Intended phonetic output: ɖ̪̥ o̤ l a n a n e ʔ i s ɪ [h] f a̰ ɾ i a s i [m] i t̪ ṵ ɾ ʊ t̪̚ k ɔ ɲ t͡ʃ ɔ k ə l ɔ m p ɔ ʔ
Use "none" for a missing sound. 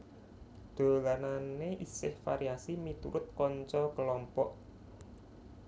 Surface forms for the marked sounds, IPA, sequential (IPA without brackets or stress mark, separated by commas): h, m